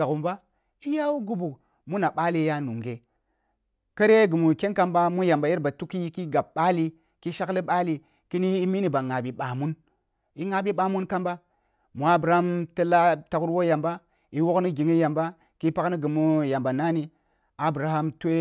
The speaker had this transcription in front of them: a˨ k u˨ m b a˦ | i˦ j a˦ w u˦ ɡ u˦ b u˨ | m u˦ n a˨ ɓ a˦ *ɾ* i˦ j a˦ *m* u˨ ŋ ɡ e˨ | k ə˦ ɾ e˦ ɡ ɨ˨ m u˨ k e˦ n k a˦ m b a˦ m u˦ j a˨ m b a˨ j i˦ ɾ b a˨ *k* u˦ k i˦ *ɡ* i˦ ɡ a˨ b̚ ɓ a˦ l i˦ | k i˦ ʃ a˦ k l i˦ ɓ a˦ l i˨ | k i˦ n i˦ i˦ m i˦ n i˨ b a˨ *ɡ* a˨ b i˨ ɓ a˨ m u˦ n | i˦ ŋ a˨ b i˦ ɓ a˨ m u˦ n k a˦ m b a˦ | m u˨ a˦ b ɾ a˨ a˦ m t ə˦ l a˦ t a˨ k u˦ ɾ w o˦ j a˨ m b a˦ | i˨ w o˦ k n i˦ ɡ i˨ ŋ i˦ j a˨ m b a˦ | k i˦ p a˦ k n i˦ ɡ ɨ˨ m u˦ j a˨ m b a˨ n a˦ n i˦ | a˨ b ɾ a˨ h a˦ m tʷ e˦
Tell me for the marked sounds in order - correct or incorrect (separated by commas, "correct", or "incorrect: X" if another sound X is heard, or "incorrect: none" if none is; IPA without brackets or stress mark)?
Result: incorrect: l, incorrect: n, incorrect: t, incorrect: k, incorrect: ŋ